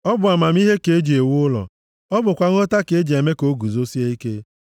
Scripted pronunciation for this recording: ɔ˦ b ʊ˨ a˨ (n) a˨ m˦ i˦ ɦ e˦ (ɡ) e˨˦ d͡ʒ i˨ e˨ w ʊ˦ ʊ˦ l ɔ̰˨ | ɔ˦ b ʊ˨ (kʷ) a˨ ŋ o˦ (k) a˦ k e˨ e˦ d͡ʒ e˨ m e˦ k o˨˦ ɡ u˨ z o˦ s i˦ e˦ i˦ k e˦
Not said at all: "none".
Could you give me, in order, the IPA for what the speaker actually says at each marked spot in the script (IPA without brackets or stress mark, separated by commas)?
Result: m, k, kʷ, t